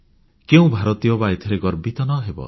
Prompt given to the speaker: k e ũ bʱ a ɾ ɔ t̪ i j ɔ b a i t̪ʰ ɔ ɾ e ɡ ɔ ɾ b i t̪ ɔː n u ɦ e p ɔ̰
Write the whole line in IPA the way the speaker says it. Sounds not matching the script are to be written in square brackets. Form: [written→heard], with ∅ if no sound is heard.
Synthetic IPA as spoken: k e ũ bʱ a ɾ ɔ t̪ i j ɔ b a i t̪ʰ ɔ ɾ e ɡ ɔ ɾ b i t̪ [ɔː→ɔ] n [u→ɔ] ɦ e [p→b] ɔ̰